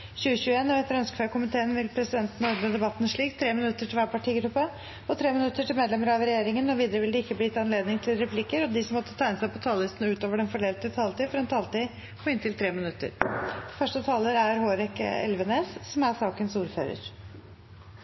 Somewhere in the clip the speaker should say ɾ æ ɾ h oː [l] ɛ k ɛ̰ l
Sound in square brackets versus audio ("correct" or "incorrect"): incorrect